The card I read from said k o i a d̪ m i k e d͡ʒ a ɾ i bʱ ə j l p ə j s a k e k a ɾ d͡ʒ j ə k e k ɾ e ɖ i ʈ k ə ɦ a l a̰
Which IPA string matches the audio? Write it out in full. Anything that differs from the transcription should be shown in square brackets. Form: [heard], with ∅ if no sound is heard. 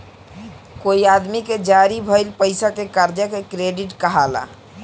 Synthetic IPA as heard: k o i a d̪ m i k e d͡ʒ a ɾ i bʱ ə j l p ə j s a k e k a ɾ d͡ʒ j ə k e k ɾ e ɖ i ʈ k ə ɦ a l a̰